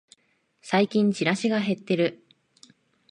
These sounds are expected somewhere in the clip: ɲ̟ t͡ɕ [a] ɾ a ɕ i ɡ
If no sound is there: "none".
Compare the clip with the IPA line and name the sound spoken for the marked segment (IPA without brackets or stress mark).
i